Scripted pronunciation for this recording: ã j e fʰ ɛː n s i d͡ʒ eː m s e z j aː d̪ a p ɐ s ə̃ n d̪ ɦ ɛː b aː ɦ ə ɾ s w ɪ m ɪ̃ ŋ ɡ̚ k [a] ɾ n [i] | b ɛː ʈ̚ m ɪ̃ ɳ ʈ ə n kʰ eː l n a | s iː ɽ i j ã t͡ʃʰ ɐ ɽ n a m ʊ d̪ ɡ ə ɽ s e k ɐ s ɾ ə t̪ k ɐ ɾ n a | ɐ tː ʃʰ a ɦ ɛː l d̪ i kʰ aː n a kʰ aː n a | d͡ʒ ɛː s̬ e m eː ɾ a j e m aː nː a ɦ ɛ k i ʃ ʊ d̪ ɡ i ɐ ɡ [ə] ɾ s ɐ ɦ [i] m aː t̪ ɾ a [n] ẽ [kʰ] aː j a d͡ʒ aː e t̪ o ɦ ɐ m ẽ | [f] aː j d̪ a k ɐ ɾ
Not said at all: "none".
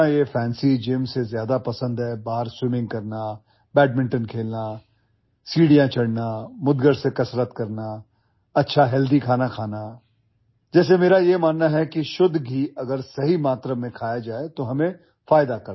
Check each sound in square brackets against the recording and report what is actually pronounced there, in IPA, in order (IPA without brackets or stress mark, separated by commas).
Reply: ɐ, a, ə, i, m, kʰ, f